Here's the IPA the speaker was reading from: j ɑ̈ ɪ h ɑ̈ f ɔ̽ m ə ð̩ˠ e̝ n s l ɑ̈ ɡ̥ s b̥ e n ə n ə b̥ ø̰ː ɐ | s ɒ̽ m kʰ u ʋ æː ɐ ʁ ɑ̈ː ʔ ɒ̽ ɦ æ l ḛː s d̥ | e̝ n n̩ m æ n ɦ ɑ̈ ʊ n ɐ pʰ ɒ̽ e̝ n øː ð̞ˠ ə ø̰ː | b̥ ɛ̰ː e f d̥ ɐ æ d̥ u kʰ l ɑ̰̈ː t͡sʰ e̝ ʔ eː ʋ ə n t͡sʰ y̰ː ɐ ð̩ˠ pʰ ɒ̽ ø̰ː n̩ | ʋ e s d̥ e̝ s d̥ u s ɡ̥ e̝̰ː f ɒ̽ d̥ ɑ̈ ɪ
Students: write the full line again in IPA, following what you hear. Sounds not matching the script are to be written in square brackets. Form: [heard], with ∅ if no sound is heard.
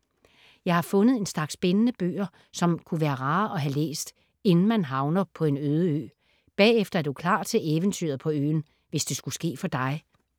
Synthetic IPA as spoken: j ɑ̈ ɪ h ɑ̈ f ɔ̽ [n] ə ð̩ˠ e̝ n s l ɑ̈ ɡ̥ s b̥ e n ə n ə b̥ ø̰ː ɐ | s ɒ̽ m kʰ u ʋ æː ɐ ʁ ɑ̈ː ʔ ɒ̽ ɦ æ l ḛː s d̥ | e̝ n n̩ m æ n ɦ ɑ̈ ʊ n ɐ pʰ ɒ̽ e̝ n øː ð̞ˠ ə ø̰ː | b̥ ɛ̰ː e f d̥ ɐ æ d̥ u kʰ l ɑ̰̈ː t͡sʰ e̝ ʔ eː ʋ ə n t͡sʰ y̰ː ɐ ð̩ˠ pʰ ɒ̽ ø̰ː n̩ | ʋ e s d̥ e̝ s [ɡ̥] u s ɡ̥ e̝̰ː f ɒ̽ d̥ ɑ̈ ɪ